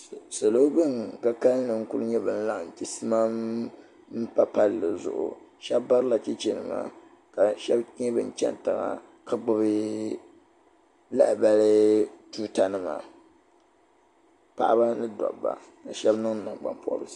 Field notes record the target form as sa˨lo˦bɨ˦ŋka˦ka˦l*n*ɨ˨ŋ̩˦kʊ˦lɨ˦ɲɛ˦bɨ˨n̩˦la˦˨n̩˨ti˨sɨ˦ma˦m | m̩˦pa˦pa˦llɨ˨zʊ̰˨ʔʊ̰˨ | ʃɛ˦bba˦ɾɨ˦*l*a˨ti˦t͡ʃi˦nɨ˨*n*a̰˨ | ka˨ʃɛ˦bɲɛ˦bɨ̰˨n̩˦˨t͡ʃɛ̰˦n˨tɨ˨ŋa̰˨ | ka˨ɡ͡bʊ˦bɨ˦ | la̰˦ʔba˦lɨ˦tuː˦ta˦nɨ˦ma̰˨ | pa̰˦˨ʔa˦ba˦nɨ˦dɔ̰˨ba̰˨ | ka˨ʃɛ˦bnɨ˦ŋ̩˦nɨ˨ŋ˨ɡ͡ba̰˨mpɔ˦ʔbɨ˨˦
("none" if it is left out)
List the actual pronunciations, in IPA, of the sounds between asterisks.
n, l, m

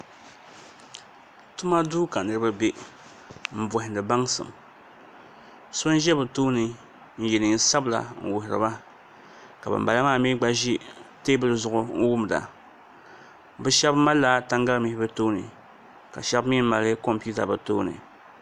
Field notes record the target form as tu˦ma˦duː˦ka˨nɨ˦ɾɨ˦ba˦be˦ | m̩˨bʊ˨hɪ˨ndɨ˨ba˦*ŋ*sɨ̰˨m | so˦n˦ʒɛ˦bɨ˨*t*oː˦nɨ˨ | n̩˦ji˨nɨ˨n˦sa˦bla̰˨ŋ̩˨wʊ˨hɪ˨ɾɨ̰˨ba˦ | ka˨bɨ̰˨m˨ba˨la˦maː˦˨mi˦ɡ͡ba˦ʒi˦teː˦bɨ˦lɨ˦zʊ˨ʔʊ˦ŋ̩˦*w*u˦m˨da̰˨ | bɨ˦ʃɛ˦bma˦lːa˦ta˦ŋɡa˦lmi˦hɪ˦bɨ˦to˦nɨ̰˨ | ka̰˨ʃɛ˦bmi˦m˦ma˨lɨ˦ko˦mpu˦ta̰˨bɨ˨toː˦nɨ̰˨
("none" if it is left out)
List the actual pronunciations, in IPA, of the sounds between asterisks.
ŋ, t, w

